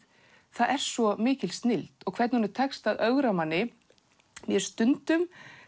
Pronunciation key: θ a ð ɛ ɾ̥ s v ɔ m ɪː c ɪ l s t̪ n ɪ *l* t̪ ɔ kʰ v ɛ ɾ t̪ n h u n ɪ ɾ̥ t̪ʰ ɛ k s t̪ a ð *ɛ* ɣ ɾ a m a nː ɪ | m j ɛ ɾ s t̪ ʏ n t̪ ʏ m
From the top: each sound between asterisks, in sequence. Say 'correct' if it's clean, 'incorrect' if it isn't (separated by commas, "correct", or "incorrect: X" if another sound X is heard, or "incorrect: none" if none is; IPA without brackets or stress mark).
correct, incorrect: œ